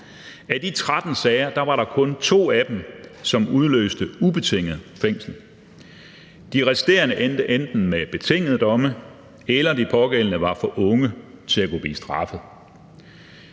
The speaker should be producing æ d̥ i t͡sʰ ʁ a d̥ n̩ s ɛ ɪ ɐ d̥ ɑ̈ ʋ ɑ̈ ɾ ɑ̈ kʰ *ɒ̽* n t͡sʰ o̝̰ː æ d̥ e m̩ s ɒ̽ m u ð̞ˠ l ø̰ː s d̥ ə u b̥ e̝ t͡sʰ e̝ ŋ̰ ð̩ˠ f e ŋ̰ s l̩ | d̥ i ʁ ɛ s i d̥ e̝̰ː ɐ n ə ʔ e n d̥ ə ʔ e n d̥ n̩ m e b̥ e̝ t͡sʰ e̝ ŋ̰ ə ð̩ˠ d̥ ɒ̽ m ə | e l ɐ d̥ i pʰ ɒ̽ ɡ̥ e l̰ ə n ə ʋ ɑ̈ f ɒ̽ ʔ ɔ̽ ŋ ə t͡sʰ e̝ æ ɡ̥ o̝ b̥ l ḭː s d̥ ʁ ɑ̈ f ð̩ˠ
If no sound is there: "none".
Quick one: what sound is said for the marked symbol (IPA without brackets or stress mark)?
ɔ̽